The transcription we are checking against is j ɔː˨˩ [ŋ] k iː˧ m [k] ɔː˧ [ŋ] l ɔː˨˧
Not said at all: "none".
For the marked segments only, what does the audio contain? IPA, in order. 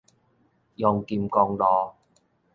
ŋ, k, ŋ

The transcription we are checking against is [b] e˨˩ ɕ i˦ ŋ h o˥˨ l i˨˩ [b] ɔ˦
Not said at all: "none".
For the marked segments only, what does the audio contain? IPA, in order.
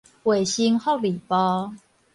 w, p

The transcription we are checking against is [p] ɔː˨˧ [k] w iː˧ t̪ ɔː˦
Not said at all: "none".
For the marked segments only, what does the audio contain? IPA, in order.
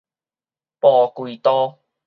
p, k

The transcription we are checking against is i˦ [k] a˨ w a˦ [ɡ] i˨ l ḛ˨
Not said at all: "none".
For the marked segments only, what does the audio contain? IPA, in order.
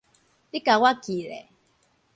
k, k

